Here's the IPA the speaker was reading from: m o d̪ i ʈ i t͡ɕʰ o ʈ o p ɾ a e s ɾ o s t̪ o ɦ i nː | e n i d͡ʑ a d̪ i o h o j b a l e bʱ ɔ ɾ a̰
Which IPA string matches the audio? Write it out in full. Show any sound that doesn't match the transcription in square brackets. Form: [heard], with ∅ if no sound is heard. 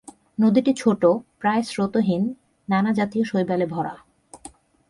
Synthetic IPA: [n] o d̪ i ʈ i t͡ɕʰ o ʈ o p ɾ a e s ɾ o [∅] t̪ o ɦ i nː | [a] n [a] d͡ʑ a [t̪] i o [ʃ] o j b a l e bʱ ɔ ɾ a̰